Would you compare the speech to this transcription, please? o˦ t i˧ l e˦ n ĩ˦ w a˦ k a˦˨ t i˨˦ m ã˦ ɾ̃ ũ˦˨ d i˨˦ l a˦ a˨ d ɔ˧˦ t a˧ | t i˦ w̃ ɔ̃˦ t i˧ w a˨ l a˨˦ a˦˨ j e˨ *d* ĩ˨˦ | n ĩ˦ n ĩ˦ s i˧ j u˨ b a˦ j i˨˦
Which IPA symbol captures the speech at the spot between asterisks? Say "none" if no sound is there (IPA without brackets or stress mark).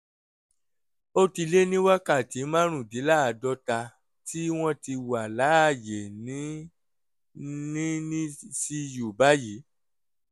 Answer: n